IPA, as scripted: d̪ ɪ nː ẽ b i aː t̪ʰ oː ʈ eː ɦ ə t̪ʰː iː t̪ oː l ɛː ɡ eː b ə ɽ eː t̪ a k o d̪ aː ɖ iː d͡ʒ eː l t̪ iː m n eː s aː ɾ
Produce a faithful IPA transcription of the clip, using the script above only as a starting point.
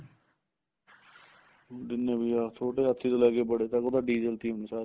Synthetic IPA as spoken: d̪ ɪ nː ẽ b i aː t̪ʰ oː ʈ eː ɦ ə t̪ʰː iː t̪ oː l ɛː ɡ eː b ə ɽ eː t̪ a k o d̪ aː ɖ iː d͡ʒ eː l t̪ iː m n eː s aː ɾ